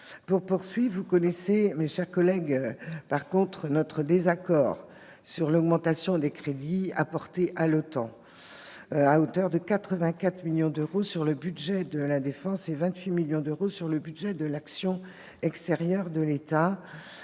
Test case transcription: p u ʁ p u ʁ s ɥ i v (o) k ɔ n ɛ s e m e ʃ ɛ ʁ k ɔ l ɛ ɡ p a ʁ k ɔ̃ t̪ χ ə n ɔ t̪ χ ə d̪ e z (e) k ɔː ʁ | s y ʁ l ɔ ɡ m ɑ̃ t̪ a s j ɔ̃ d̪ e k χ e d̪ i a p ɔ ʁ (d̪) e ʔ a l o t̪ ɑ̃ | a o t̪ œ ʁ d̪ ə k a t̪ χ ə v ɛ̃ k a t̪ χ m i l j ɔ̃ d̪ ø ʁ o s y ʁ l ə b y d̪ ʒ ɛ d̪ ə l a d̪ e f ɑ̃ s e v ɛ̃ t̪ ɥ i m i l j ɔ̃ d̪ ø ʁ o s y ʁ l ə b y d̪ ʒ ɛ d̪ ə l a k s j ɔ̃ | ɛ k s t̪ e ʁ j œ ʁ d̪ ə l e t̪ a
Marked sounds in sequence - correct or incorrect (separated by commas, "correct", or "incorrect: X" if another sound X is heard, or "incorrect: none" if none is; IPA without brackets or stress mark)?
incorrect: u, incorrect: a, incorrect: t̪